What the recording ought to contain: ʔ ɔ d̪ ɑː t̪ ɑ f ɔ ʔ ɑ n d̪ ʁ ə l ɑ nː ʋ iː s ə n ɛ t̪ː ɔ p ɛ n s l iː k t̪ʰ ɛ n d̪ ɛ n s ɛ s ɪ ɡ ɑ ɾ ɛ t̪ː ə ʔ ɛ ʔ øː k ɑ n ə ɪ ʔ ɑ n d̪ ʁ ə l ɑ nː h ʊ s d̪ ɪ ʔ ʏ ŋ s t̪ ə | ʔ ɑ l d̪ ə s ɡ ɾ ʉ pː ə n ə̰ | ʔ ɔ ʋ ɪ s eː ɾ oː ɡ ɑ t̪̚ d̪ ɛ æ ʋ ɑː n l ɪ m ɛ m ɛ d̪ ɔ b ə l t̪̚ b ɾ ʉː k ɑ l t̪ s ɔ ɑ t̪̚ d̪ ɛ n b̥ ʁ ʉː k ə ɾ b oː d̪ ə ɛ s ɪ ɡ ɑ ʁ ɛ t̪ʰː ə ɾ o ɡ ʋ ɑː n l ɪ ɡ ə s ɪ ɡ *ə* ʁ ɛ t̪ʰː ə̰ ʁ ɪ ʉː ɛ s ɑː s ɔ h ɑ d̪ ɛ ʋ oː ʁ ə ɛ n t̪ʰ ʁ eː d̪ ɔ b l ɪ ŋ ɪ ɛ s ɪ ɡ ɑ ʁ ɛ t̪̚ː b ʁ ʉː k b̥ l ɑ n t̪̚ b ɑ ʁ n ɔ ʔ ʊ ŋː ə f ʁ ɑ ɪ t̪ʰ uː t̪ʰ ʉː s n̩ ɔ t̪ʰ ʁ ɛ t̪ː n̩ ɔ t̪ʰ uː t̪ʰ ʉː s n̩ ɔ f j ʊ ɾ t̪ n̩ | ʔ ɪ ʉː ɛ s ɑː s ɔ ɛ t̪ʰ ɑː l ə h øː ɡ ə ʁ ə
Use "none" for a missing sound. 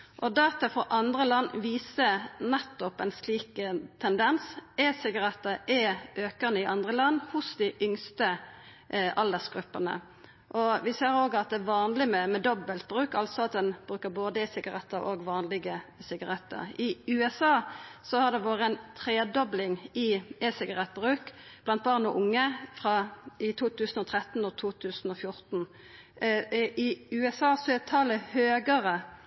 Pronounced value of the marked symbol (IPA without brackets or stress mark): ɑ